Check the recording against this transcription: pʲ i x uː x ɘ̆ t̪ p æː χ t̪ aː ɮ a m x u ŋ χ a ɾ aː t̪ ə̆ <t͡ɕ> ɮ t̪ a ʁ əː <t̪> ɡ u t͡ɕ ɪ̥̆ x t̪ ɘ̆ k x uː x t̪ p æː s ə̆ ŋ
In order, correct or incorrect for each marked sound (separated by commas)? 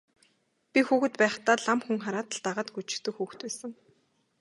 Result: incorrect, correct